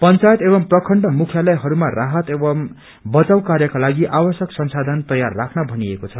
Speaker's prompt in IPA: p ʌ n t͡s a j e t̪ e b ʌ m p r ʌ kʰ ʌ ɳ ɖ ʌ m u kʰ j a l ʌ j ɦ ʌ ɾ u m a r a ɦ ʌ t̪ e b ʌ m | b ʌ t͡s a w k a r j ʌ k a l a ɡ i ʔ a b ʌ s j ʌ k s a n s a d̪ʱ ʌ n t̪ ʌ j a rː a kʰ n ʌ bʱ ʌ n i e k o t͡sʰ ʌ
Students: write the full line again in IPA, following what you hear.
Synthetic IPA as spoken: p ʌ n t͡s a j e t̪ e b ʌ m p r ʌ kʰ ʌ ɳ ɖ ʌ m u kʰ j a l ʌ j ɦ ʌ ɾ u m a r a ɦ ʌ t̪ e b ʌ m | b ʌ t͡s a w k a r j ʌ k a l a ɡ i ʔ a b ʌ s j ʌ k s ʌ n s a d̪ʱ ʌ n t̪ ʌ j a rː a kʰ n ʌ bʱ ʌ n i e k o t͡sʰ ʌ